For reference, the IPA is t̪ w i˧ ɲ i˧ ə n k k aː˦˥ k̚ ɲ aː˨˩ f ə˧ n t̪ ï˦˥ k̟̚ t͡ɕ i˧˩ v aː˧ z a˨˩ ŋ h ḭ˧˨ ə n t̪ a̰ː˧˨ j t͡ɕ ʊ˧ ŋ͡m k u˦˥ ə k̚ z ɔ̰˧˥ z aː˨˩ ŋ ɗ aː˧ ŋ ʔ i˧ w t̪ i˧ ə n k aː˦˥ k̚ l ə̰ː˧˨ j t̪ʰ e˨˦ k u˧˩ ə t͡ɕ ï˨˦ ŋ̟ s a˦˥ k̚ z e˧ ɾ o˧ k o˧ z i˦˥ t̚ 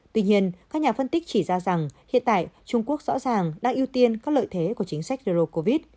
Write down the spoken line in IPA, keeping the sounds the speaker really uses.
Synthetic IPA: t̪ w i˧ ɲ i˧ ə n k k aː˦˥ k̚ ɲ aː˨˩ f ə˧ n t̪ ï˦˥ k̟̚ t͡ɕ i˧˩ z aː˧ z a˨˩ ŋ h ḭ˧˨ ə n t̪ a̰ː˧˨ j t͡ɕ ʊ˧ ŋ͡m k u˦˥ ə k̚ z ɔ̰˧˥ z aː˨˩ ŋ ɗ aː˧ ŋ ʔ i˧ w t̪ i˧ ə n k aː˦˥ k̚ l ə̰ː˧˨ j t̪ʰ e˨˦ k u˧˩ ə t͡ɕ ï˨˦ ŋ̟ s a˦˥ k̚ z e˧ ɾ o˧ k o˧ v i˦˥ t̚